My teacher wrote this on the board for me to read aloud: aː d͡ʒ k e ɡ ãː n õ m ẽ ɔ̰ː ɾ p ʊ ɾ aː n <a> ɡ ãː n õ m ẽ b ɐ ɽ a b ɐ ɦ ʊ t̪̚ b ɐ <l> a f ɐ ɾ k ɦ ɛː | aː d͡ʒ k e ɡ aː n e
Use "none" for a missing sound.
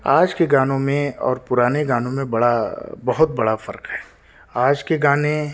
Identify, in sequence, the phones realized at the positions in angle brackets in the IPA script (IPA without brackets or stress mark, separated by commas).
e, ɽ